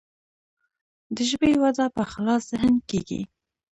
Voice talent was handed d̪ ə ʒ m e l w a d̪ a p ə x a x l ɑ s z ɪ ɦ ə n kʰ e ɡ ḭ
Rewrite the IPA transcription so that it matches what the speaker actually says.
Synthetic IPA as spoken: d̪ ə ʒ b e w a d̪ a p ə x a l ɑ s z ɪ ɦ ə n k e ɡ ḭ